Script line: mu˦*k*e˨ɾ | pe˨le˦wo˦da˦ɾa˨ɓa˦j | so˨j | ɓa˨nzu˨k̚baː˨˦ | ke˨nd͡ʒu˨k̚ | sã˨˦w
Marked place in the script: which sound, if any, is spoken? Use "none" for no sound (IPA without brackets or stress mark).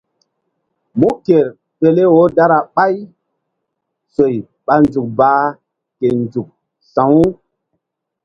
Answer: k